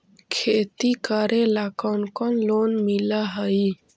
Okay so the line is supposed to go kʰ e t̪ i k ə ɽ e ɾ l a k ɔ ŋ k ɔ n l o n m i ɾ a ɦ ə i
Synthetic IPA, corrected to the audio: kʰ e t̪ i k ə ɾ e l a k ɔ n k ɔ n l o n m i l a ɦ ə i

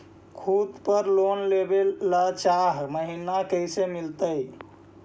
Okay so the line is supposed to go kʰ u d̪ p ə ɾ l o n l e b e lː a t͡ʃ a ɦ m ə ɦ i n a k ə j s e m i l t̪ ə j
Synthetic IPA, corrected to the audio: kʰ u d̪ p ə ɾ l o n l e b e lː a t͡ʃ a ɦ m ə ɦ i n a k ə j s e m i l t̪ ə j

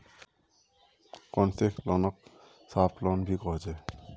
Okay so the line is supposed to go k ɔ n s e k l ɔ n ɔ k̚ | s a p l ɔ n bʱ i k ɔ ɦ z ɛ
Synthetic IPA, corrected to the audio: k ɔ n s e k l ɔ n ɔ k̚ | s a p l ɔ n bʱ i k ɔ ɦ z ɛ

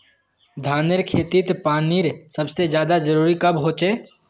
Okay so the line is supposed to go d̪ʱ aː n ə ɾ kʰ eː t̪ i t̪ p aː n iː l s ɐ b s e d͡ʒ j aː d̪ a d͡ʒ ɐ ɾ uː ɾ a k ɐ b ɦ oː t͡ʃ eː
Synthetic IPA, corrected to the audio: d̪ʱ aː n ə ɾ kʰ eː t̪ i t̪ p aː n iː ɾ s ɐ b s e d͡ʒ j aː d̪ a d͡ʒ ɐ ɾ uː ɾ i k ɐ b ɦ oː t͡ʃ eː

